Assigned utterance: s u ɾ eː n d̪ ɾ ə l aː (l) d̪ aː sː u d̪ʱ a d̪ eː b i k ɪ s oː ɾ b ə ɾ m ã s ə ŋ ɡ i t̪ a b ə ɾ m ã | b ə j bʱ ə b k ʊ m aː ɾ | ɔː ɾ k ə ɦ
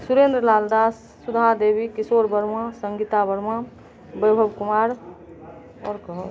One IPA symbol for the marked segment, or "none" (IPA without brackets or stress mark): l